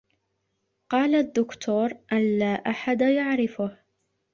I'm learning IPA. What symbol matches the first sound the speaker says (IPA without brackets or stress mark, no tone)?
q